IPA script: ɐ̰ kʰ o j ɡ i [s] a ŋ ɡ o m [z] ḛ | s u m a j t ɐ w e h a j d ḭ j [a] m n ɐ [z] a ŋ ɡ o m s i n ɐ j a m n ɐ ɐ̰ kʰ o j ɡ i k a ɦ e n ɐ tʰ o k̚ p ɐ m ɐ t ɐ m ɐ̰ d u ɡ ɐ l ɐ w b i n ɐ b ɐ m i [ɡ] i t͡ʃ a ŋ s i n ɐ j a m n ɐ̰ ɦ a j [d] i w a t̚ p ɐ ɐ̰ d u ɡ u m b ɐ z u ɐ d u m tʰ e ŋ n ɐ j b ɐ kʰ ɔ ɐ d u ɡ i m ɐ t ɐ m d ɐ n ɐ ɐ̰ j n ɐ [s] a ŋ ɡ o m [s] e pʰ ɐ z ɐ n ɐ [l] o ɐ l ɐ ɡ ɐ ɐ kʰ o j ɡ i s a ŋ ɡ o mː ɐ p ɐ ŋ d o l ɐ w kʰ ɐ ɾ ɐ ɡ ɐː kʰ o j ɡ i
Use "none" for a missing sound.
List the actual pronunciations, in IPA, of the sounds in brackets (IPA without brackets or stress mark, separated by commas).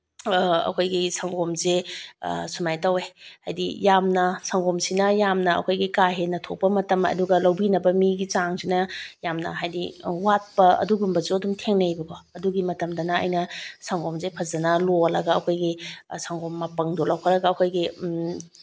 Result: s, z, a, s, ɡ, d, s, z, l